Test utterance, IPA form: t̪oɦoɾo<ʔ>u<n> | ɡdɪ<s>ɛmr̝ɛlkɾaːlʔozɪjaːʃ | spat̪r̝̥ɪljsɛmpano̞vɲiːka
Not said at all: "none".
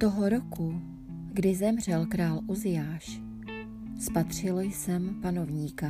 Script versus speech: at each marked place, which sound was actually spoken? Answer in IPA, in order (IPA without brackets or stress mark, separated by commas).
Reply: k, none, z